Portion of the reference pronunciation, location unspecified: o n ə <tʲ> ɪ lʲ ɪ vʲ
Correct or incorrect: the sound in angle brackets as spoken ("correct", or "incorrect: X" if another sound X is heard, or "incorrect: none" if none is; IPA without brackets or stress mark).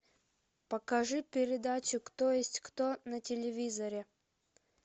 correct